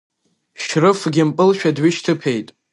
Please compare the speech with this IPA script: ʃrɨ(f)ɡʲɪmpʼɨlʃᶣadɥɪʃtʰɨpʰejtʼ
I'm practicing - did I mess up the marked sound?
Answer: no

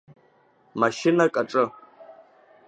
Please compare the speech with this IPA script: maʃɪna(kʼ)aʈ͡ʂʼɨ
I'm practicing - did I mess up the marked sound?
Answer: no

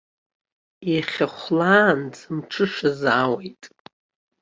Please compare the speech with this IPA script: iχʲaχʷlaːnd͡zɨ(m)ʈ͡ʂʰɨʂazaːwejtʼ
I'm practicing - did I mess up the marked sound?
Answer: no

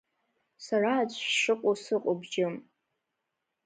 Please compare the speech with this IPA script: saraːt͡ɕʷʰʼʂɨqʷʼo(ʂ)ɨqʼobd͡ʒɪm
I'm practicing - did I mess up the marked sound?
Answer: yes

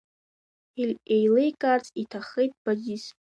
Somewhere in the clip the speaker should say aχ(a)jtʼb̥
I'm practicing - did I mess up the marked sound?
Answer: yes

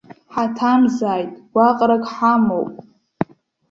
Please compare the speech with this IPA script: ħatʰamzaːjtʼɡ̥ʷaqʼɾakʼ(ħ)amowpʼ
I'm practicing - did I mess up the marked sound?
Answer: no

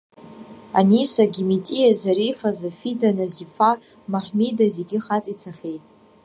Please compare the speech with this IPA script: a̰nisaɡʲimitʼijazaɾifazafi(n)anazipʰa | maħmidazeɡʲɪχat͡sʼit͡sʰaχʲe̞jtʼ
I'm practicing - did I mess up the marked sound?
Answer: yes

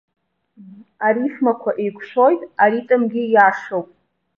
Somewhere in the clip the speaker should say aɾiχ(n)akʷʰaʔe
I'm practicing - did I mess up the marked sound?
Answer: yes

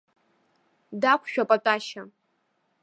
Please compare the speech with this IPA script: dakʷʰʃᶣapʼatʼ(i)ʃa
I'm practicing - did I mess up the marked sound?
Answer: yes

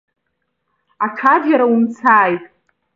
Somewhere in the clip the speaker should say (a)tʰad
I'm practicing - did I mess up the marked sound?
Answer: no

